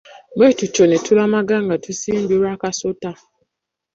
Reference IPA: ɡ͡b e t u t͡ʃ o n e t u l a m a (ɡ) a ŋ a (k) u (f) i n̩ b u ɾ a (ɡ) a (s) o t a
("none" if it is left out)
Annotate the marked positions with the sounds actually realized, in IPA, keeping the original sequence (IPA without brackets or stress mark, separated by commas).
ɡ, t, s, k, s